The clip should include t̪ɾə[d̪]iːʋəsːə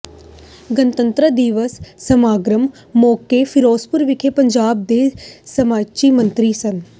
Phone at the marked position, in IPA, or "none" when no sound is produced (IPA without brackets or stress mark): d̪